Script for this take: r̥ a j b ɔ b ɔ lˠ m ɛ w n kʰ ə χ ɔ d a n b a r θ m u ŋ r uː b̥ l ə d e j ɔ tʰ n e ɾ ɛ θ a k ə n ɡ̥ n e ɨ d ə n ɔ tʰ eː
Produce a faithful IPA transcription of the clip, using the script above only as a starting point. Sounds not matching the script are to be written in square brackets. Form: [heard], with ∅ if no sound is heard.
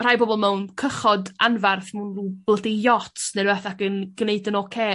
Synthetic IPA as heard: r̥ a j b ɔ b ɔ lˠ m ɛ w n kʰ ə χ ɔ d a n [v] a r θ m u [n] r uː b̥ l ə d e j ɔ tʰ n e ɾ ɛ θ a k ə n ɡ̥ n e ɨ d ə n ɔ [kʰ] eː